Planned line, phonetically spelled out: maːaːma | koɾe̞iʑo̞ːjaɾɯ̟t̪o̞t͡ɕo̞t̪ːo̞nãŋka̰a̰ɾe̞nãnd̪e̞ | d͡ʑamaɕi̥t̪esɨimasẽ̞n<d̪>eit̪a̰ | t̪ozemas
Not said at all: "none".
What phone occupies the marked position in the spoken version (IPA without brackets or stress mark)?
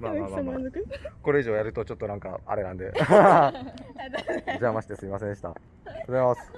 d̪